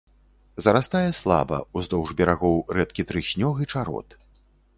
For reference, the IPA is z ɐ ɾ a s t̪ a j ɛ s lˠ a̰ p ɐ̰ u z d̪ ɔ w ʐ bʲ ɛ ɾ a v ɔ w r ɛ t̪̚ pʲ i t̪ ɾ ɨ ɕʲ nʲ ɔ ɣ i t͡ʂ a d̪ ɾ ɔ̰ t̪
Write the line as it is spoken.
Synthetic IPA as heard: z ɐ ɾ a s t̪ a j ɛ s lˠ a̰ b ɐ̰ u z d̪ ɔ w ʐ bʲ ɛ ɾ a ɣ ɔ w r ɛ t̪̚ kʲ i t̪ ɾ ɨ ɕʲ nʲ ɔ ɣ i t͡ʂ a ɾ ɔ̰ t̪